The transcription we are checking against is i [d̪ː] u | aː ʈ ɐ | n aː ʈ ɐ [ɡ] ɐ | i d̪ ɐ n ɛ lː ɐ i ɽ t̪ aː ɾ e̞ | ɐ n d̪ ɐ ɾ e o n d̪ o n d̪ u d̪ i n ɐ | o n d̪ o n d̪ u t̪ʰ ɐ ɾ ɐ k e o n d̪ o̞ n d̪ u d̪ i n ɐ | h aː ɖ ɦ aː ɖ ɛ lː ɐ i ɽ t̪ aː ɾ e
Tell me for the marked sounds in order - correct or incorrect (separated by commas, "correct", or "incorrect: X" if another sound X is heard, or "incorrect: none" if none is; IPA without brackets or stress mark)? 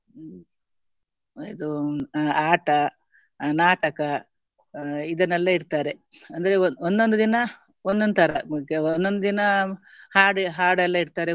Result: incorrect: d̪, incorrect: k